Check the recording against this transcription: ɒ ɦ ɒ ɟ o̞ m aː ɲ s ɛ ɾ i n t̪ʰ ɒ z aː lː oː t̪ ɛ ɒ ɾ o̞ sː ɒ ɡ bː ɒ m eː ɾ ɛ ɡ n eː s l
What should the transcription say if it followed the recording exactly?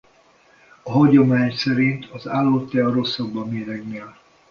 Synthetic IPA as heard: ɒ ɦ ɒ ɟ o̞ m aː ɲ s ɛ ɾ i n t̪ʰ ɒ z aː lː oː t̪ ɛ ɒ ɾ o̞ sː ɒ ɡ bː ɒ m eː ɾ ɛ ɡ n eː l